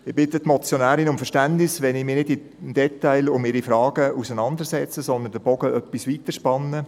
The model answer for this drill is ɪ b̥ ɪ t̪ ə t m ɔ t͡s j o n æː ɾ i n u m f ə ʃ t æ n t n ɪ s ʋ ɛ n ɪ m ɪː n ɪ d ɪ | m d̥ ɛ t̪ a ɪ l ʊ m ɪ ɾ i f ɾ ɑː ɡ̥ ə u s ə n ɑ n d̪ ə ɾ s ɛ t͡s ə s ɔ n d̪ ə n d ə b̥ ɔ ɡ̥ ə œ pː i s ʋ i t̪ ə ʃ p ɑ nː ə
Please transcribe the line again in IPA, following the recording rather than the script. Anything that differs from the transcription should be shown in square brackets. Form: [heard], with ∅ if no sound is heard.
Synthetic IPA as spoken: ɪ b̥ ɪ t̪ ə t m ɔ t͡s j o n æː ɾ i n [ʊ] m f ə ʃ t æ n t n ɪ s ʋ ɛ n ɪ m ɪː n ɪ d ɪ | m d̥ ɛ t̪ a ɪ l ʊ m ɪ ɾ i f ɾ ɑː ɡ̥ ə u s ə n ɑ n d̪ ə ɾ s ɛ t͡s ə s ɔ n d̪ ə n d ə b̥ ɔ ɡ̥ ə œ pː i s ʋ i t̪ ə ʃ p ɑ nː ə